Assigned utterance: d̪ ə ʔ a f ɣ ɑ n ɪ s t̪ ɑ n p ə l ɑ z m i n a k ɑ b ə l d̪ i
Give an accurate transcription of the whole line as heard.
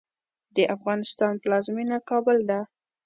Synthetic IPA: d̪ ə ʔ a f ɣ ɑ n ɪ s t̪ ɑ n p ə l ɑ z m i n a k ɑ b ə l d̪ a